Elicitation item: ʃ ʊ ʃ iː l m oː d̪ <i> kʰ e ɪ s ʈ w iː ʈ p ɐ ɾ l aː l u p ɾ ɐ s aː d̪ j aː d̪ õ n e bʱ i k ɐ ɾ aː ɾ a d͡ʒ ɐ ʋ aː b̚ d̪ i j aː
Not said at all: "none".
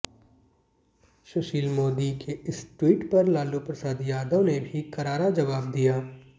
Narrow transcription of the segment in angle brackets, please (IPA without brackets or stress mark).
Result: i